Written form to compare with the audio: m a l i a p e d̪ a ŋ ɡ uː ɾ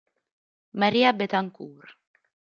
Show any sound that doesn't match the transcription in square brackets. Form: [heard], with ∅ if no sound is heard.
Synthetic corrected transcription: m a [ɾ] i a [b] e [t̪] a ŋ [k] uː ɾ

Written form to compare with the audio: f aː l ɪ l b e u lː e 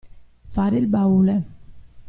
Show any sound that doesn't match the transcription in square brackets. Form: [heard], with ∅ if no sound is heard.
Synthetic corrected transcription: f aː [ɾ] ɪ l b [a] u [l] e

